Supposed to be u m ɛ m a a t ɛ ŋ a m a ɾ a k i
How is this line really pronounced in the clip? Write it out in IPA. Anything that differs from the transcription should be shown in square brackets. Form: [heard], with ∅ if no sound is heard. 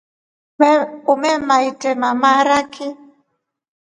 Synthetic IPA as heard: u m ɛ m a [i] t ɛ [m] a m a ɾ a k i